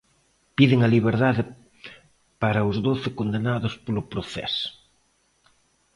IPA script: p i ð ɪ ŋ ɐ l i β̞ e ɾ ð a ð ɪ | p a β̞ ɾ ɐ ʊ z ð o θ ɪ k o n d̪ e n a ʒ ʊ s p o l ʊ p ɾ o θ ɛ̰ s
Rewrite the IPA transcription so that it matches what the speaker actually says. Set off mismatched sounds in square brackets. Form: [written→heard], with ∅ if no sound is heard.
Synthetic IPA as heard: p i ð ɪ ŋ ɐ l i β̞ e ɾ ð a ð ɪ | p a [β̞→∅] ɾ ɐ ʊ z ð o θ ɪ k o n d̪ e n a [ʒ→ð] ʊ s p o l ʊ p ɾ o θ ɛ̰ s